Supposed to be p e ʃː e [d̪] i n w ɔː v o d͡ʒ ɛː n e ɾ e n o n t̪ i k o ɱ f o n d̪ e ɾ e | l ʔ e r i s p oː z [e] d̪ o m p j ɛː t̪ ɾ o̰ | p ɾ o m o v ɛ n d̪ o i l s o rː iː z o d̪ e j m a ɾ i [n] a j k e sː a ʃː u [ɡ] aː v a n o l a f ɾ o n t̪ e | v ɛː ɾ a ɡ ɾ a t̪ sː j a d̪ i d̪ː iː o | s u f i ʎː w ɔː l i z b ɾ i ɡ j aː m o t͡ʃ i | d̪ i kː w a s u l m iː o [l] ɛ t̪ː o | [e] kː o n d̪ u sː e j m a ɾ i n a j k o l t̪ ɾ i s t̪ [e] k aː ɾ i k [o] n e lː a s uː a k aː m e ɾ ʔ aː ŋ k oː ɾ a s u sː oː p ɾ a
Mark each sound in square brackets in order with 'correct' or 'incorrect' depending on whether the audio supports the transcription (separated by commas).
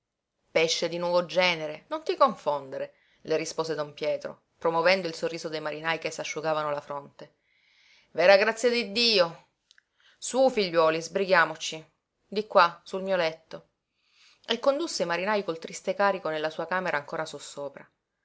correct, correct, correct, correct, correct, correct, correct, correct